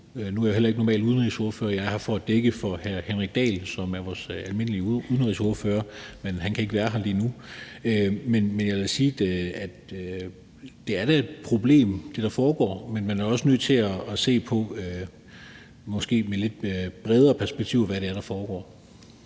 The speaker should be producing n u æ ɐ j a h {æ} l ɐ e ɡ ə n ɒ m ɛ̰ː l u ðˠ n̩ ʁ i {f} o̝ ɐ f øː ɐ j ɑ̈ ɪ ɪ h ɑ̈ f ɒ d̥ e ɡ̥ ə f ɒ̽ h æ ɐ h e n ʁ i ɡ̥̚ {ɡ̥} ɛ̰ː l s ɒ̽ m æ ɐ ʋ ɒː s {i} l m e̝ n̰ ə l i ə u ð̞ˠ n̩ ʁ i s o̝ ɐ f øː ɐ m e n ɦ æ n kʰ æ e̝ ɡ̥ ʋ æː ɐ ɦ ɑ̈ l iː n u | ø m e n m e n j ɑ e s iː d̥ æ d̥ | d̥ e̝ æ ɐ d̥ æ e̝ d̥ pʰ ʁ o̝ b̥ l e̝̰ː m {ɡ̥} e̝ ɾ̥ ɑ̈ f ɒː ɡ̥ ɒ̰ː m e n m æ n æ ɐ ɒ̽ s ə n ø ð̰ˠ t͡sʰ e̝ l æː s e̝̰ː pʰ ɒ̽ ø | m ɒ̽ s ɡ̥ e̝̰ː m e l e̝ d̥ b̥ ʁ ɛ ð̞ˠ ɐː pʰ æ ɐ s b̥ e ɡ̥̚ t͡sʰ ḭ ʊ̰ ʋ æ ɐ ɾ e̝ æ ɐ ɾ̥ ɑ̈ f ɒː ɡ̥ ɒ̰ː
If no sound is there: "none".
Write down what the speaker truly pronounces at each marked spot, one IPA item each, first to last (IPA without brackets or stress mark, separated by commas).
e, s, d̥, æ, d̥